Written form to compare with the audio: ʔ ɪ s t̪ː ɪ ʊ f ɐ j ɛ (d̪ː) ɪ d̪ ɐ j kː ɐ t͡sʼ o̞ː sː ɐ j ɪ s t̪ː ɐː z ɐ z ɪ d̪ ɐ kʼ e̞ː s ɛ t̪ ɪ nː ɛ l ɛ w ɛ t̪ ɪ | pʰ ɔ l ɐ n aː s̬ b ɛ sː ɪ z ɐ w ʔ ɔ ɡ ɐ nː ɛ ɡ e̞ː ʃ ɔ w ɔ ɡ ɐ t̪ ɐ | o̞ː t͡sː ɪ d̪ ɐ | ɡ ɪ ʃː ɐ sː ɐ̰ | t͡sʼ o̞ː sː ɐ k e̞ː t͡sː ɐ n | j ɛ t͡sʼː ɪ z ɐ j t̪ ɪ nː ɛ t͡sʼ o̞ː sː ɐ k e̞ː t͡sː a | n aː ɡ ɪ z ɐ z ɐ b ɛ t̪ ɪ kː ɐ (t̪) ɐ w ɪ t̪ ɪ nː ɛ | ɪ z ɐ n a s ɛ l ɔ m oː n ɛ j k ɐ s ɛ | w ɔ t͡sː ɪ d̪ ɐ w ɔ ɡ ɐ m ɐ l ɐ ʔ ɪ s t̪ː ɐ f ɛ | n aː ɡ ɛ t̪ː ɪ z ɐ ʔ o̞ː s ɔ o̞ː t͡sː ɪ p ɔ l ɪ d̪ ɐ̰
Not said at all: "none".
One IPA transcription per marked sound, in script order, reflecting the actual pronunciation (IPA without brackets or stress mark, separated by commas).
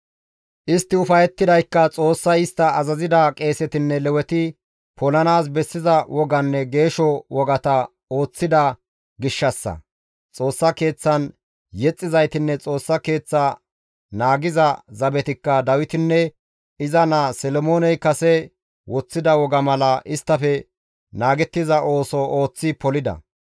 t̪ː, d̪